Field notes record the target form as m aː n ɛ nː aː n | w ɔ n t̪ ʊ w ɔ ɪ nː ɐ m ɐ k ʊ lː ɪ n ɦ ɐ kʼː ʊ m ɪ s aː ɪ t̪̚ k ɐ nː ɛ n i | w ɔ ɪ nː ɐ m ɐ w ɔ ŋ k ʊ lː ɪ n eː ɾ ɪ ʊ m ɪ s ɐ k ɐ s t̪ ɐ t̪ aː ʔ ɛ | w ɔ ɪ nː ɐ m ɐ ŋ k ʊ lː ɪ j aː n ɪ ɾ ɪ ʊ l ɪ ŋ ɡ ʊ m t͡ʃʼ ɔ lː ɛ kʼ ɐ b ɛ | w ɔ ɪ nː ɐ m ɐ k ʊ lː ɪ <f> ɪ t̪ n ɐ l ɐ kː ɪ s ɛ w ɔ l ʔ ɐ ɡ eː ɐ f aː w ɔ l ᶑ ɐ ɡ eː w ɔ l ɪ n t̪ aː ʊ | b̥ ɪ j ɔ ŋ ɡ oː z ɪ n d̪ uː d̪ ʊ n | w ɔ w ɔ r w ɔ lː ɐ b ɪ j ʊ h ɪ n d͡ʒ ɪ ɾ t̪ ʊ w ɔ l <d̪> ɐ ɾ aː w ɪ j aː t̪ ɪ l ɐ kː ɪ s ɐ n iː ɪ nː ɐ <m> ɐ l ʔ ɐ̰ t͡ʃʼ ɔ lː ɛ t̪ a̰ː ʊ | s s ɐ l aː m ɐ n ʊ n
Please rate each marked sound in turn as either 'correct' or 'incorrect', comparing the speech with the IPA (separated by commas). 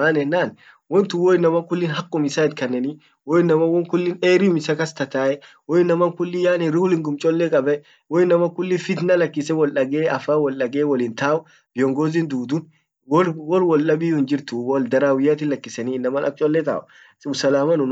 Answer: correct, correct, correct